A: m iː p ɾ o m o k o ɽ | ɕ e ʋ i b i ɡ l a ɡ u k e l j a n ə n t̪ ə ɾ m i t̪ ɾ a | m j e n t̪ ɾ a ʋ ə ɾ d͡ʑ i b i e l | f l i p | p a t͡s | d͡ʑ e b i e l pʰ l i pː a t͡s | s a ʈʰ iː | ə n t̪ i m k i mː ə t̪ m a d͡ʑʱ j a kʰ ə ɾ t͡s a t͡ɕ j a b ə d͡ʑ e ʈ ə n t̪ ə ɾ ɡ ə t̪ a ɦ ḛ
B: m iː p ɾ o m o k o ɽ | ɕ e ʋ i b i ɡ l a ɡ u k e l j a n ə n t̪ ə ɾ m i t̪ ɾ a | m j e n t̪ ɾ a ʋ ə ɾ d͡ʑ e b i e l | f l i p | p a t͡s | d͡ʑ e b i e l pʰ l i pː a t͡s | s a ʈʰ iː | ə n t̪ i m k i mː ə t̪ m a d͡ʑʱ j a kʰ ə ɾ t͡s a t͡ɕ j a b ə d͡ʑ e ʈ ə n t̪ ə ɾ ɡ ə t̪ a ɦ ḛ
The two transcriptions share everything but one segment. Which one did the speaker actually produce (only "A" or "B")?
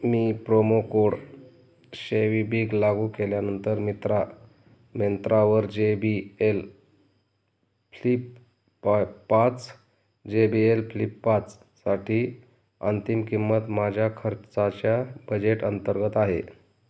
B